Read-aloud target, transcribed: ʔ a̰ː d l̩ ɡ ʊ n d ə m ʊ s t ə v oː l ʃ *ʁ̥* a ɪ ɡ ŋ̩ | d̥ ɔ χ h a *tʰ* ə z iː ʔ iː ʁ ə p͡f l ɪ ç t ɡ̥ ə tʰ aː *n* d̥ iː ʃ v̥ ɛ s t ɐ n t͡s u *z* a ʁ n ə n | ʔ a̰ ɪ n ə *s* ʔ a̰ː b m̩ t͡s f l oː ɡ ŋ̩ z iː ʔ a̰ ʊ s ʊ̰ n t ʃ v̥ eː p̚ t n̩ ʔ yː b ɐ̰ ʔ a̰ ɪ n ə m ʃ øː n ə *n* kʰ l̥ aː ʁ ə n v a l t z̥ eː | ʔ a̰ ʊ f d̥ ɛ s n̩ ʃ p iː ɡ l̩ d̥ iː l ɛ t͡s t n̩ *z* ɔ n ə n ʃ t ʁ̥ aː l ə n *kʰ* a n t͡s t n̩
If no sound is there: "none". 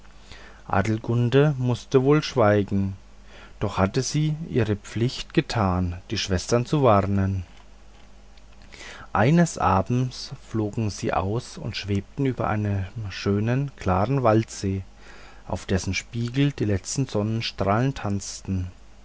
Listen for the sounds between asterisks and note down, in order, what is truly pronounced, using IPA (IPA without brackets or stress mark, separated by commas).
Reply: v̥, t, n, v, s, n, z, tʰ